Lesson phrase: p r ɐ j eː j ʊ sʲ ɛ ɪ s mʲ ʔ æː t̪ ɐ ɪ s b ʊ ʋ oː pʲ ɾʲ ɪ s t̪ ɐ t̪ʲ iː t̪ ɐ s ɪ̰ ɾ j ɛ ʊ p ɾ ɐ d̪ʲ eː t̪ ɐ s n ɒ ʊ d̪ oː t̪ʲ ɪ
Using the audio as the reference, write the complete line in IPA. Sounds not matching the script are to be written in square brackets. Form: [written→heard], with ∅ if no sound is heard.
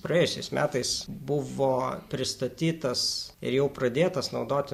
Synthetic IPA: p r ɐ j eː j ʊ sʲ ɛ ɪ s mʲ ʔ æː t̪ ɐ ɪ s b ʊ ʋ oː pʲ ɾʲ ɪ s t̪ ɐ t̪ʲ iː t̪ ɐ s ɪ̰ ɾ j ɛ ʊ p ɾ ɐ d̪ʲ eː t̪ ɐ s n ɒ ʊ d̪ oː t̪ʲ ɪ